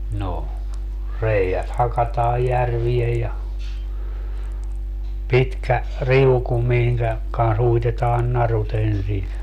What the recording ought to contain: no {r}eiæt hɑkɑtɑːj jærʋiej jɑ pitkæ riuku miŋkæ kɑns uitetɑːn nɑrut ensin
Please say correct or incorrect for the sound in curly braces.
correct